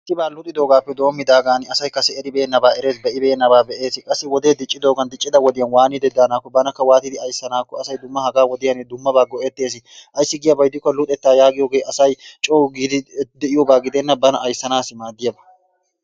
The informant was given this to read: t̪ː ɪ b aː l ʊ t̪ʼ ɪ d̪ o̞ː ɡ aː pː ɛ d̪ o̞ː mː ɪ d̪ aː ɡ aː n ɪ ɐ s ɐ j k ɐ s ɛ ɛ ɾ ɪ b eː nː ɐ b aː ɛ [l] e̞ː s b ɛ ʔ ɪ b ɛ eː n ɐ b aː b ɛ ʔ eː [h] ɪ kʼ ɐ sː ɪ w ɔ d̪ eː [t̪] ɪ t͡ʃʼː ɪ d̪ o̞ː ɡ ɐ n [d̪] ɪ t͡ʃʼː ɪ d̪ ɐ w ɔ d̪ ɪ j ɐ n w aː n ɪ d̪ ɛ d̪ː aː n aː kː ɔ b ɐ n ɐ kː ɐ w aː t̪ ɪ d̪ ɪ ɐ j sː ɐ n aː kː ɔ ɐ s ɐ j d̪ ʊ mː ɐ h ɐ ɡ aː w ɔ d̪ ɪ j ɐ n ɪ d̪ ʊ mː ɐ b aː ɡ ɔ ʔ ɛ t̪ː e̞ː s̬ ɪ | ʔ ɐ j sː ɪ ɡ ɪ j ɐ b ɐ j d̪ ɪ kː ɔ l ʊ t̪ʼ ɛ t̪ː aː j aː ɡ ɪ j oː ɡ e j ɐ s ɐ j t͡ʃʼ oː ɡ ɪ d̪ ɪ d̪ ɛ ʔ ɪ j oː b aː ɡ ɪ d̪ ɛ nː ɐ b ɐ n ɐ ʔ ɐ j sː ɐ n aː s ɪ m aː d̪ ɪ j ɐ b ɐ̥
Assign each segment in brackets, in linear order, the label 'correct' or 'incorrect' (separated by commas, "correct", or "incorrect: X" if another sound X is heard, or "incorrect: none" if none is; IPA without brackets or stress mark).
incorrect: ɾ, incorrect: s, incorrect: d̪, correct